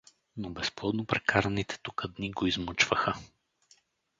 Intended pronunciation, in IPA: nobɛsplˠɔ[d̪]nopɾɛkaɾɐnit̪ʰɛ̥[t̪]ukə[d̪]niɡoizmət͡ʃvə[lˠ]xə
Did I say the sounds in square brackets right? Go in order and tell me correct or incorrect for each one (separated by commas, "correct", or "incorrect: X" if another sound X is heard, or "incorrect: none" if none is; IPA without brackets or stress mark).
correct, correct, correct, incorrect: none